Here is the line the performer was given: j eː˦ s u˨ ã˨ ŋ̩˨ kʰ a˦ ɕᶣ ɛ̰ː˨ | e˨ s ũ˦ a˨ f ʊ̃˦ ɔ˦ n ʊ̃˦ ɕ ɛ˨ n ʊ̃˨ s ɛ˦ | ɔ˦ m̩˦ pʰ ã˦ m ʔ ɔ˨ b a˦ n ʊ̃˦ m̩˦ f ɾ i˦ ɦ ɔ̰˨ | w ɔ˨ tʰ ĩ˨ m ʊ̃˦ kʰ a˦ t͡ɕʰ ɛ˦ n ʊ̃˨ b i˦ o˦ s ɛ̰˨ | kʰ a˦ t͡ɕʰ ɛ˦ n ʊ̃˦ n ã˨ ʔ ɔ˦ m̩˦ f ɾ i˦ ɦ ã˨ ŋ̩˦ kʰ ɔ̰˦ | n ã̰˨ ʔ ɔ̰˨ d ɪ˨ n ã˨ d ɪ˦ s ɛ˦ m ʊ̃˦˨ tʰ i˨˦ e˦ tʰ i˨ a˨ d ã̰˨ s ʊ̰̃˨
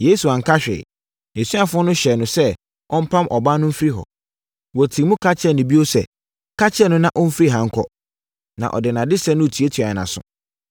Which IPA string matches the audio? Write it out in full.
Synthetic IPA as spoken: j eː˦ s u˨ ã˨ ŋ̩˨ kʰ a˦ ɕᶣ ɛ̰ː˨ | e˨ s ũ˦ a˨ f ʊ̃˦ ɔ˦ n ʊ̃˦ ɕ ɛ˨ n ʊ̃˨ s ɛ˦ | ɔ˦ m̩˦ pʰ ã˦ m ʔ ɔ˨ b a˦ n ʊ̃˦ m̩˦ f ɾ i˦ ɦ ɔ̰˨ | w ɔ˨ tʰ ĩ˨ m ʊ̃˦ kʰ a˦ t͡ɕʰ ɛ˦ n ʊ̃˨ b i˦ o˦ s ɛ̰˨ | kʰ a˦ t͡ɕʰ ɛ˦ n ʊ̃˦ n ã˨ ʔ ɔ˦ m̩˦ f ɾ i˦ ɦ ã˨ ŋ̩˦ kʰ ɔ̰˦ | n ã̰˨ ʔ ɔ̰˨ d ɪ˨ n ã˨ d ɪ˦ s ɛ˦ n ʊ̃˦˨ tʰ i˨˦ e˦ tʰ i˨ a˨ n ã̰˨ s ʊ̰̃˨